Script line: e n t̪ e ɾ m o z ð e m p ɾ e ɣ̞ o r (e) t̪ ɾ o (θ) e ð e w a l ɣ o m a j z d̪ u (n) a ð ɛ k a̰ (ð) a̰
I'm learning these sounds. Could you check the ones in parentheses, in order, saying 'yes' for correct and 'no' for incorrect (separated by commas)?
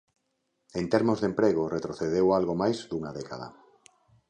yes, yes, no, yes